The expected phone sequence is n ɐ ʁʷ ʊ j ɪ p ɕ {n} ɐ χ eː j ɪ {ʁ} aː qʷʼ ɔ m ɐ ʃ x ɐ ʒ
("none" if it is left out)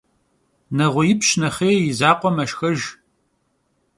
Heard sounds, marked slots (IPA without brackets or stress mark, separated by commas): n, z